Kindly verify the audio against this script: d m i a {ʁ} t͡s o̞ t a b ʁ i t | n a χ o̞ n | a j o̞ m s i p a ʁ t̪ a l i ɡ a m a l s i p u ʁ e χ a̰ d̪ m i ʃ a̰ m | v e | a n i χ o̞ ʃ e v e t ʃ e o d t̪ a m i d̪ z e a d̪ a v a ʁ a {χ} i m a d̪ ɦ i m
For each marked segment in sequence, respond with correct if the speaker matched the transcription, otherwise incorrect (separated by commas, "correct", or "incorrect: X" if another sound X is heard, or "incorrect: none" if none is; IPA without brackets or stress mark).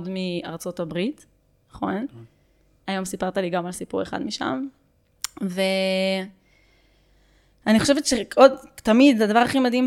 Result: correct, correct